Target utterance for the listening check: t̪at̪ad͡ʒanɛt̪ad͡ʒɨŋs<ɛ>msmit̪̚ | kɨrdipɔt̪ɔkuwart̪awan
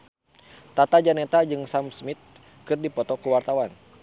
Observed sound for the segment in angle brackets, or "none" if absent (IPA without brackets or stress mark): a